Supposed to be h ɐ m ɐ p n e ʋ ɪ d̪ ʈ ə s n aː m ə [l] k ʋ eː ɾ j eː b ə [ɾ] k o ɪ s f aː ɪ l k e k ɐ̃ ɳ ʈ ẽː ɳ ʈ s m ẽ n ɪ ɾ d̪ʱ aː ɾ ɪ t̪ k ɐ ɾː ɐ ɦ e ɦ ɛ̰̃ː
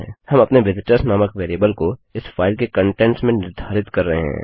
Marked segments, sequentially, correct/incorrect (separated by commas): incorrect, incorrect